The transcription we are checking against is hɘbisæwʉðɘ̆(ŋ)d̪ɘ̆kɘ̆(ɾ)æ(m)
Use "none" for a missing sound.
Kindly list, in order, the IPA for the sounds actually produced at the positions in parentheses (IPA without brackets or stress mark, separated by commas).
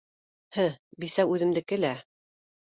m, l, none